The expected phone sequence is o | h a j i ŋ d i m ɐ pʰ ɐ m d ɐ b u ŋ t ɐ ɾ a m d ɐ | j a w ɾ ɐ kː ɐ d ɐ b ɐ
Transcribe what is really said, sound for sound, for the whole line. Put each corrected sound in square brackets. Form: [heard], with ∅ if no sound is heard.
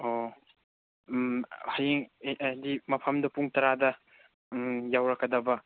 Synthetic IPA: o | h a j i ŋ d i m ɐ pʰ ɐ m d ɐ [p] u ŋ t ɐ ɾ a [∅] d ɐ | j a w ɾ ɐ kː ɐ d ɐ b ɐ